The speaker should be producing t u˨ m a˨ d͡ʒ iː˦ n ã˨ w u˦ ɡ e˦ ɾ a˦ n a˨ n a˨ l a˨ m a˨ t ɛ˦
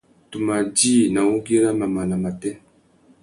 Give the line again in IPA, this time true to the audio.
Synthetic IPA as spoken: t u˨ m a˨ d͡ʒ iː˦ n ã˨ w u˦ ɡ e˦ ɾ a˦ m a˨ m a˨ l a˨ m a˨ t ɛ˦